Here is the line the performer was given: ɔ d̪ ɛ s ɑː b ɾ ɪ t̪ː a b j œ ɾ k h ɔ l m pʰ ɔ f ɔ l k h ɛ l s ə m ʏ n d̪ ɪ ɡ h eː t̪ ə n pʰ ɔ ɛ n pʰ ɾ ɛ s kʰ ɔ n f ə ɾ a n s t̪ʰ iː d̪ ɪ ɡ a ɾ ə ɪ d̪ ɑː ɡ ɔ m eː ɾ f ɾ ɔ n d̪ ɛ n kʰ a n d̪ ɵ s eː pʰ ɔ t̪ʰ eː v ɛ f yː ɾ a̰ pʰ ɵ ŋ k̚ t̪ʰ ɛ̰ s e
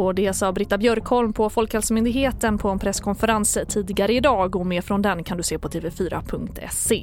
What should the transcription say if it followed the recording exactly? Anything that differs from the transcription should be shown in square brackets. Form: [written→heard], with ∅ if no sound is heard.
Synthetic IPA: ɔ d̪ ɛ s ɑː b ɾ ɪ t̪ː a b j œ ɾ k h ɔ l m pʰ ɔ f ɔ l k h ɛ l s ə m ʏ n d̪ ɪ ɡ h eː t̪ ə n pʰ ɔ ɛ n pʰ ɾ ɛ s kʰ ɔ n f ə ɾ a n s t̪ʰ iː d̪ ɪ ɡ a ɾ ə ɪ d̪ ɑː ɡ ɔ m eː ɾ f ɾ ɔ n d̪ ɛ n kʰ a n d̪ ɵ s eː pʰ ɔ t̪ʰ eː v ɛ f yː ɾ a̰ pʰ ɵ ŋ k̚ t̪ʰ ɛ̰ s e